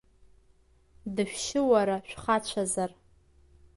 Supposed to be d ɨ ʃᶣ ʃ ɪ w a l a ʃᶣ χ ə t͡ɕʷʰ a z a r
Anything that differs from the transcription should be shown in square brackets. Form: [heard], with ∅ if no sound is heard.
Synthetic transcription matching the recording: d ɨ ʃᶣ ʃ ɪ w a [ɾ] a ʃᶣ χ [a] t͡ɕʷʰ a z a r